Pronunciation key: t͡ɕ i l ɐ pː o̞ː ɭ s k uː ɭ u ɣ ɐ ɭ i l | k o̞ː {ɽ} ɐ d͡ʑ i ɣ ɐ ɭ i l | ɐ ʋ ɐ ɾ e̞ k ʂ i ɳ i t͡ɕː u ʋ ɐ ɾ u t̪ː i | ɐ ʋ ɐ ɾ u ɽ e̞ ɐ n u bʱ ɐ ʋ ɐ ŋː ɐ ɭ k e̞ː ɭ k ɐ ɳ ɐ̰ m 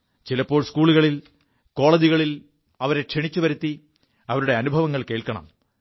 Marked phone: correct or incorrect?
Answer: incorrect